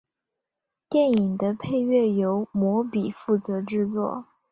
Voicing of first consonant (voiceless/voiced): voiceless